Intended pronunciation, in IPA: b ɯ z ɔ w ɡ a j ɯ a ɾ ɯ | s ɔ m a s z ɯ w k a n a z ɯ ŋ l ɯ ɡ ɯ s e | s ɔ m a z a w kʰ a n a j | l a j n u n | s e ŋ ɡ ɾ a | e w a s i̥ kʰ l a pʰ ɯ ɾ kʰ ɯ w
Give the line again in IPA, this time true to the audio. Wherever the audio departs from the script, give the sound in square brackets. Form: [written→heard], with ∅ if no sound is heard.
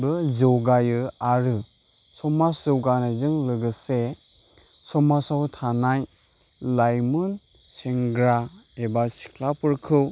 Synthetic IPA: b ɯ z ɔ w ɡ a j ɯ a ɾ ɯ | s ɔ m a s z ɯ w [k→ɡ] a n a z ɯ ŋ l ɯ ɡ ɯ s e | s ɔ m a [z→s] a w [kʰ→tʰ] a n a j | l a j [n→m] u n | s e ŋ ɡ ɾ a | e [w→b] a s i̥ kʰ l a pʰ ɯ ɾ kʰ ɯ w